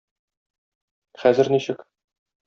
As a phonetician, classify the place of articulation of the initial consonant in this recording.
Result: uvular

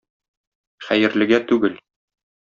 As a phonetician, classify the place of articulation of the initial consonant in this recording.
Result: uvular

